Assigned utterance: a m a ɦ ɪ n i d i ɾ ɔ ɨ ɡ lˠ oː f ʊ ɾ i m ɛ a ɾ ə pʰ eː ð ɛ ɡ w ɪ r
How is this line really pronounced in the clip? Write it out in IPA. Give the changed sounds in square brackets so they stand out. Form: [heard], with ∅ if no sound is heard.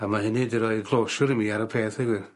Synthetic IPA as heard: a m a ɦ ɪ n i d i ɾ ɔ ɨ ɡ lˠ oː [ʃ] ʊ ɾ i m [i] a ɾ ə pʰ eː [θ] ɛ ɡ w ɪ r

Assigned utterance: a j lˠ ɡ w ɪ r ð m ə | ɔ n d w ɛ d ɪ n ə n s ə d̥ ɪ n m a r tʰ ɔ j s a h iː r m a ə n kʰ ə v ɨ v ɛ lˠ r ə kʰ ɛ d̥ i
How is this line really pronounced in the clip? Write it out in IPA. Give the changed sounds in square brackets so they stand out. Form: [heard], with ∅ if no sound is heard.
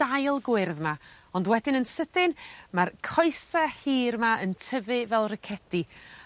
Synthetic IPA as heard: a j lˠ ɡ w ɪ r ð m [a] | ɔ n d w ɛ d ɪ n ə n s ə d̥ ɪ n m a r [kʰ] ɔ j s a h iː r m a ə n [tʰ] ə v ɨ v ɛ lˠ r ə kʰ ɛ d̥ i

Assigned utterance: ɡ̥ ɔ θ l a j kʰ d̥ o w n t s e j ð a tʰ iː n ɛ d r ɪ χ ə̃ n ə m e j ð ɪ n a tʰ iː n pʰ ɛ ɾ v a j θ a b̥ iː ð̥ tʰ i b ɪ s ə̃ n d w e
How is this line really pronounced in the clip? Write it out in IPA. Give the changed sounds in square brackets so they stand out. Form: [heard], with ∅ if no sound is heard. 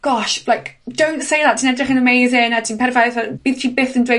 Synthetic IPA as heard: ɡ̥ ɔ [ʃ] l a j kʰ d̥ o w n t s e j ð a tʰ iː n ɛ d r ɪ χ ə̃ n ə m e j [z] ɪ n a tʰ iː n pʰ ɛ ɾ v a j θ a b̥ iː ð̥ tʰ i b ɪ [θ] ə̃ n d w e

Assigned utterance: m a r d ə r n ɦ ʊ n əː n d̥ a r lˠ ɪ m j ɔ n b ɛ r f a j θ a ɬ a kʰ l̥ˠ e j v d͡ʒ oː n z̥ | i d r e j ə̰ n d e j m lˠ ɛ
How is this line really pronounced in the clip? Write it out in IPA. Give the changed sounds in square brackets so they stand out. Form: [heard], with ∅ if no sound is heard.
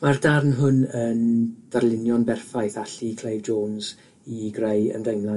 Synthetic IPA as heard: m a r d [a] r n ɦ ʊ n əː n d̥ a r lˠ ɪ [n] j ɔ n b ɛ r f a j θ a ɬ [i] kʰ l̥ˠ e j v d͡ʒ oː n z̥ | i [ɡ] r e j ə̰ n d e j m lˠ [a]

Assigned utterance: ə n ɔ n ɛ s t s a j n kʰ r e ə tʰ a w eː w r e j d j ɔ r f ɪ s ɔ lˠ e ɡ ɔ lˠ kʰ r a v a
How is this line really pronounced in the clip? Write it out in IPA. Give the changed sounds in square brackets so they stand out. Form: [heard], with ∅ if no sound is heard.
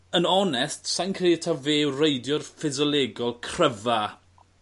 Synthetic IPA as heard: ə n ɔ n ɛ s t s a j n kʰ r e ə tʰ a [v] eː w r e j d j ɔ r f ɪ [z] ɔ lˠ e ɡ ɔ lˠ kʰ r [ə] v a

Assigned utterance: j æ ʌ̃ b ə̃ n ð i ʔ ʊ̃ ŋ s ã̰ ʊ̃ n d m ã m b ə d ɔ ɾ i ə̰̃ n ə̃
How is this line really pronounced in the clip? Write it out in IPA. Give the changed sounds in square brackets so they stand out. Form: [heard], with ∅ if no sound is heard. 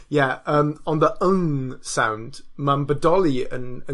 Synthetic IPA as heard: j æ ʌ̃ [m] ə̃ n ð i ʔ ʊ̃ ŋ s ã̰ ʊ̃ n d m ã m b ə d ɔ [l] i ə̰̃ n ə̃

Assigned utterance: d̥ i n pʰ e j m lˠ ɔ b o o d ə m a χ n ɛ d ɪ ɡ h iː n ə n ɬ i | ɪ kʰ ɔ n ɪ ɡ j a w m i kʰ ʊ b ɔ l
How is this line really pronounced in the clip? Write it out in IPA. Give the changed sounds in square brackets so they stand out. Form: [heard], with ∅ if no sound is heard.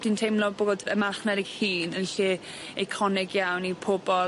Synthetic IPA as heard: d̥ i n [tʰ] e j m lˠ ɔ b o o d ə m a χ n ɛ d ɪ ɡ h iː n ə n ɬ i | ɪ kʰ ɔ n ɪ ɡ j a w [n] i [pʰ] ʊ b ɔ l

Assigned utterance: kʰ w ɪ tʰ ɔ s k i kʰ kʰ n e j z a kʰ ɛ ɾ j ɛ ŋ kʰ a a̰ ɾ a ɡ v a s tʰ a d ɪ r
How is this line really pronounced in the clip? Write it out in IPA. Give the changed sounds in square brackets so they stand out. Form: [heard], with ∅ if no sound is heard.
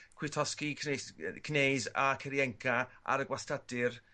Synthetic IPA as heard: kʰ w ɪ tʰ ɔ s k i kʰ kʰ n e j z a kʰ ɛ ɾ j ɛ ŋ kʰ a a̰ ɾ [ə] ɡ [w] a s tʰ a d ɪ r

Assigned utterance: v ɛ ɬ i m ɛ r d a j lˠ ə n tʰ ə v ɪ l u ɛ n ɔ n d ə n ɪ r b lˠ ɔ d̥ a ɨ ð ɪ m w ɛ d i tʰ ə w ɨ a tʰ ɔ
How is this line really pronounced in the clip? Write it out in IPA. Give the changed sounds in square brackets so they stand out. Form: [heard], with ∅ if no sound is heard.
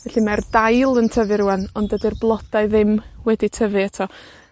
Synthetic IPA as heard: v ɛ ɬ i m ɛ r d a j lˠ ə n tʰ ə v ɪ [ɾ] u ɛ n ɔ n d ə [d] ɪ r b lˠ ɔ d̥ a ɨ ð ɪ m w ɛ d i tʰ ə [v] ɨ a tʰ ɔ

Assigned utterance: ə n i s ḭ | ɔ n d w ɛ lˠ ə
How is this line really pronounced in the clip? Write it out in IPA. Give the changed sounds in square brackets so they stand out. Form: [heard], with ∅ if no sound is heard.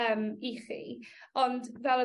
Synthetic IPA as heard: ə [m] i [χ] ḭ | ɔ n d [v] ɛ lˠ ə

